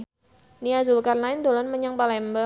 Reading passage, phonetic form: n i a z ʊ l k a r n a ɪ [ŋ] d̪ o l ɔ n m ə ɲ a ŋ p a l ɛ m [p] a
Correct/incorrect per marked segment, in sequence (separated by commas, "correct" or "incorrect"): incorrect, incorrect